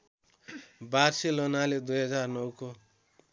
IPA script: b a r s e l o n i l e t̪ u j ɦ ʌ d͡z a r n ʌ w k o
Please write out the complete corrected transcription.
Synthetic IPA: b a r s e l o n a l e d̪ u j ɦ ʌ d͡z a r n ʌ w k o